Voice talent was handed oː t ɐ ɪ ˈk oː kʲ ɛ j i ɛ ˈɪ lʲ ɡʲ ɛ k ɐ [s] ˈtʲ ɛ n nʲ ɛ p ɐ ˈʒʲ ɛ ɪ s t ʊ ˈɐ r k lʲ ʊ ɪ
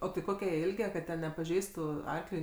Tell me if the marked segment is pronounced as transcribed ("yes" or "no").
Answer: no